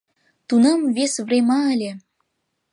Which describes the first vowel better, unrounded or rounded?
rounded